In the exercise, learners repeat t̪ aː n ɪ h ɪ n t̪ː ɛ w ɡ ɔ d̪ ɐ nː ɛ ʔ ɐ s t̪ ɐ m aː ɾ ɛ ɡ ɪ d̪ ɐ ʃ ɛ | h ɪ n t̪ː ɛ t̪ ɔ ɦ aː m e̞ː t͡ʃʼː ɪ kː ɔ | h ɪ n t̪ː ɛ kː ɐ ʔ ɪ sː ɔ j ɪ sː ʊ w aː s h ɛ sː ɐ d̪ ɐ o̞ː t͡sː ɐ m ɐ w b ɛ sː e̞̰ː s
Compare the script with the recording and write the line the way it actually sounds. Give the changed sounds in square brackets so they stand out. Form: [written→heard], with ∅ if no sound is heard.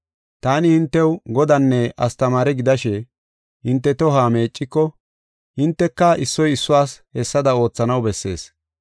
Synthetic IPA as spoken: t̪ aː n ɪ h ɪ n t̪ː ɛ w ɡ ɔ d̪ ɐ nː ɛ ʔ ɐ s t̪ ɐ m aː ɾ ɛ ɡ ɪ d̪ ɐ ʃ ɛ | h ɪ n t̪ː ɛ t̪ ɔ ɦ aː m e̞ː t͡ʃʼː ɪ kː ɔ | h ɪ n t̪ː ɛ kː ɐ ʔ ɪ sː ɔ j ɪ sː ʊ w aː s h ɛ sː ɐ d̪ ɐ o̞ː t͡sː ɐ [m→n] ɐ w b ɛ sː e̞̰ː s

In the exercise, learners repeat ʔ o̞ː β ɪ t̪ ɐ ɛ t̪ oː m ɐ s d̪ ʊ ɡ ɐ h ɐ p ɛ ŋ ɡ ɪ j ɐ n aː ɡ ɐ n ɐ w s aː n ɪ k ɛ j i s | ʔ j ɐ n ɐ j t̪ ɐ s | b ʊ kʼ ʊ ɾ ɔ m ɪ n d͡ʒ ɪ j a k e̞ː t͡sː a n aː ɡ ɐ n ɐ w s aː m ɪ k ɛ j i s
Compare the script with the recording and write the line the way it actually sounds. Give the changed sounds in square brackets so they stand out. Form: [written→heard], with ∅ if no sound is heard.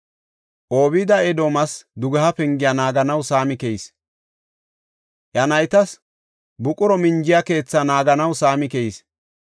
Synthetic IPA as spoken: ʔ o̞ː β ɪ [t̪→d̪] ɐ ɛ [t̪→d̪] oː m ɐ s d̪ ʊ ɡ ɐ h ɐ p ɛ ŋ ɡ ɪ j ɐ n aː ɡ ɐ n ɐ w s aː [n→m] ɪ k ɛ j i s | ʔ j ɐ n ɐ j t̪ ɐ s | b ʊ kʼ ʊ ɾ ɔ m ɪ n d͡ʒ ɪ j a k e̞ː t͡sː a n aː ɡ ɐ n ɐ w s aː m ɪ k ɛ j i s

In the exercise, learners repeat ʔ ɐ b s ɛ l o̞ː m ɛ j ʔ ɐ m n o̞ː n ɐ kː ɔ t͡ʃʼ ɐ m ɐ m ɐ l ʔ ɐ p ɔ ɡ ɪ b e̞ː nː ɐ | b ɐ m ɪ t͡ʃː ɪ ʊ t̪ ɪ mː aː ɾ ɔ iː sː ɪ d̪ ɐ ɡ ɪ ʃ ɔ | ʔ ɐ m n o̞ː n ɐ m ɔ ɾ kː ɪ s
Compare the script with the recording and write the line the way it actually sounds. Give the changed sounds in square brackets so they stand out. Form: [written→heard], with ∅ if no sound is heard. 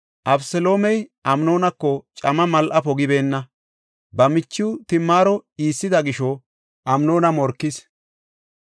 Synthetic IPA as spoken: ʔ ɐ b s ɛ l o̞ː m ɛ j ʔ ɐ m n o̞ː n ɐ kː ɔ t͡ʃʼ ɐ m ɐ m ɐ l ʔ ɐ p ɔ ɡ ɪ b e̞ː nː ɐ | b ɐ m ɪ t͡ʃː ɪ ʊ t̪ ɪ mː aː ɾ ɔ iː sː ɪ d̪ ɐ ɡ ɪ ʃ ɔ | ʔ ɐ m n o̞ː n ɐ m ɔ ɾ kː ɪ s

